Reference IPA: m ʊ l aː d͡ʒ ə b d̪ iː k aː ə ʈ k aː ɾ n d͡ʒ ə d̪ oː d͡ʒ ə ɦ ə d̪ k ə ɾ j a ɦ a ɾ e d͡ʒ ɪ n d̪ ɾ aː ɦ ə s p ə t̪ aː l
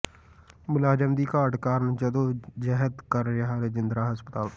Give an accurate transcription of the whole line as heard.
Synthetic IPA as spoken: m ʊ l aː d͡ʒ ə m d̪ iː k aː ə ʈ k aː ɾ n d͡ʒ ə d̪ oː d͡ʒ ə ɦ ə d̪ k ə ɾ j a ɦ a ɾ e d͡ʒ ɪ n d̪ ɾ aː ɦ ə s p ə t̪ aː l